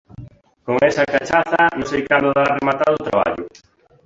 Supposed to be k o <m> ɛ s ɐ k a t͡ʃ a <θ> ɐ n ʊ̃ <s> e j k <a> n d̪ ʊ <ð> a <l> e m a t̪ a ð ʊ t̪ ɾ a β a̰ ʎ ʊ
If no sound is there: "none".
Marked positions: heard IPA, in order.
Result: ŋ, θ, s, a, ð, r

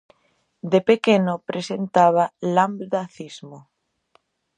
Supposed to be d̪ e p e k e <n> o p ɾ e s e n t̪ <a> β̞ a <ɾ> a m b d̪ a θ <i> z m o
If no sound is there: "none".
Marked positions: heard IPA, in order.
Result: n, a, l, i

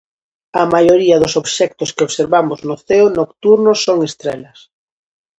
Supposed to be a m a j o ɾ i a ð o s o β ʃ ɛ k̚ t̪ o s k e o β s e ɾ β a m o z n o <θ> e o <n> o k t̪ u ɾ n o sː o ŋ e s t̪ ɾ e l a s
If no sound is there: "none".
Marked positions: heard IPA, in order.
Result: θ, n

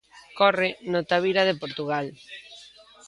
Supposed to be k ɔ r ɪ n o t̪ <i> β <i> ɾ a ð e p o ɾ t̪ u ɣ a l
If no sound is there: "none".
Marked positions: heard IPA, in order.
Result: a, i

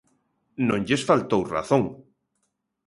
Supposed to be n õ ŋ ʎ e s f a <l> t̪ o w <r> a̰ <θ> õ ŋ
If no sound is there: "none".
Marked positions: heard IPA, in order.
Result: l, r, θ

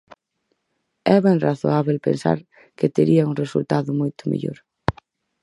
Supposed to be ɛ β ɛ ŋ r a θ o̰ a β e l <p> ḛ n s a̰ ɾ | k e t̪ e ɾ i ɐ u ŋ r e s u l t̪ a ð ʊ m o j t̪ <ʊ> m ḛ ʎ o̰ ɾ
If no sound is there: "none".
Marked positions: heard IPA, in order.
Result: p, ʊ

